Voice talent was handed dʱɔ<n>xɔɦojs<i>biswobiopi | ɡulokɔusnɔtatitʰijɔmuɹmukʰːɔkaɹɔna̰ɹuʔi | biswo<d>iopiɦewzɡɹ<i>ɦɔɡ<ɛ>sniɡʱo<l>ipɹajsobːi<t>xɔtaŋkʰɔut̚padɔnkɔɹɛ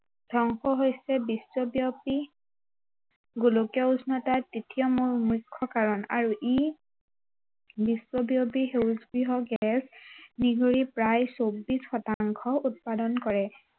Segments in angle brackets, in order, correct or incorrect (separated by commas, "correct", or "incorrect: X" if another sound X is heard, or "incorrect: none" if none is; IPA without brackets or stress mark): incorrect: ŋ, incorrect: ɛ, incorrect: b, correct, correct, incorrect: ɹ, incorrect: s